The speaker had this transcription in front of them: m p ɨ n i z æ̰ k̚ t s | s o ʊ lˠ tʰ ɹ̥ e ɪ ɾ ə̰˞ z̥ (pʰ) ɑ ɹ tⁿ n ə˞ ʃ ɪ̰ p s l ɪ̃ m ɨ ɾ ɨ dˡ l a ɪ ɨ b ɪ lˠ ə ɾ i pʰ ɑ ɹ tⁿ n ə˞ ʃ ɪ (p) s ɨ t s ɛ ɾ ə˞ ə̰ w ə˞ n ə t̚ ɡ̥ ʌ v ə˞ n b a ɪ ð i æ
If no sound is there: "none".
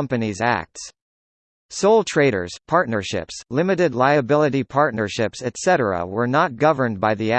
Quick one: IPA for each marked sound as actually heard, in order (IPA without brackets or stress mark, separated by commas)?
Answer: pʰ, p